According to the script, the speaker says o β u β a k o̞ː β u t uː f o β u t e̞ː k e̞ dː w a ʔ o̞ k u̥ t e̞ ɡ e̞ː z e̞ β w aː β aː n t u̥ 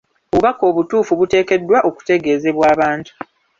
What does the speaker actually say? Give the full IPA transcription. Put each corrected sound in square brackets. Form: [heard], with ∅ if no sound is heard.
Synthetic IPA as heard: o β u β a k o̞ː β u t uː f [u] β u t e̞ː k e̞ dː w a ʔ o̞ k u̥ t e̞ ɡ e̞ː z e̞ β w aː β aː n t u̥